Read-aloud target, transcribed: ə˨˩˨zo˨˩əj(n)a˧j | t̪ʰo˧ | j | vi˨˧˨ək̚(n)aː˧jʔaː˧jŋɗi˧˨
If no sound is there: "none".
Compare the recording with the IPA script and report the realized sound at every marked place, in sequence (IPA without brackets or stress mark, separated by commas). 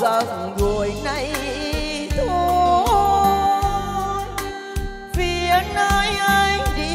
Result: n, n